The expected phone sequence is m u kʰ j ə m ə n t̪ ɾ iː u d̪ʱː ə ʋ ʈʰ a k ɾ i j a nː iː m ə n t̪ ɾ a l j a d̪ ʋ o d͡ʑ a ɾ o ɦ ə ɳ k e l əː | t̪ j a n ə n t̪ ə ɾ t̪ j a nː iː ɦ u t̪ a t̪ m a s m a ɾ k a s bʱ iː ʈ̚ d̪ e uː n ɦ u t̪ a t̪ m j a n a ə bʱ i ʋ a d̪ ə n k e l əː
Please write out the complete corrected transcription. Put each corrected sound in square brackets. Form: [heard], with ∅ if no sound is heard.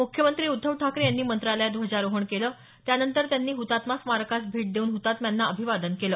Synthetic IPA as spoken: m u kʰ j ə m ə n t̪ ɾ iː u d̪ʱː ə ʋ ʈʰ a k ɾ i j a nː iː m ə n t̪ ɾ a l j a d̪ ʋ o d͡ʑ a ɾ o ɦ ə ɳ k e l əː | t̪ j a n ə n t̪ ə ɾ t̪ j a nː iː ɦ u t̪ a t̪ m a s m a ɾ k a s bʱ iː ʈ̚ d̪ e uː n ɦ u t̪ a t̪ m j a [nː] a ə bʱ i ʋ a d̪ ə n k e l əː